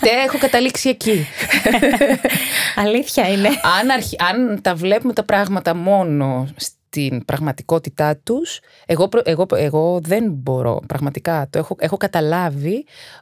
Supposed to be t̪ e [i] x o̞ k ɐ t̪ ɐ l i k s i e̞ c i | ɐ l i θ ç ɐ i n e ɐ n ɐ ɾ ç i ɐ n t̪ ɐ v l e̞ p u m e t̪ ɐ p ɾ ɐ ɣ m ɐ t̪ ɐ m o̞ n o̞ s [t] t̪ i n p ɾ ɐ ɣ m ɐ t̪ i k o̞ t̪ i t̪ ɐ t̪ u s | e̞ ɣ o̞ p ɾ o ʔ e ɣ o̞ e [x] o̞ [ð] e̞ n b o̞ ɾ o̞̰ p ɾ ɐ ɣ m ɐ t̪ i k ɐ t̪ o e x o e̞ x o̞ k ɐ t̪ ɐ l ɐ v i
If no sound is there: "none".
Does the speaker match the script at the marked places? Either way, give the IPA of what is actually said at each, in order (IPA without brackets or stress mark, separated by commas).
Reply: e, t, ɣ, ð